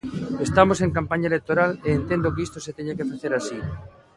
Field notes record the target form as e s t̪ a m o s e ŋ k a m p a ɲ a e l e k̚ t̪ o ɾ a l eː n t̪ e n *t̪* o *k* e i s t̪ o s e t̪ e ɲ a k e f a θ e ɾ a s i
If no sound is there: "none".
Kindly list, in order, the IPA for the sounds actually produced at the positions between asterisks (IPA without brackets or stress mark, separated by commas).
d̪, k